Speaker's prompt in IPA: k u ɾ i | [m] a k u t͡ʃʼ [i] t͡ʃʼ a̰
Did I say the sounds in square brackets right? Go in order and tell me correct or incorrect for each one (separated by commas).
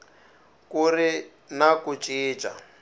incorrect, incorrect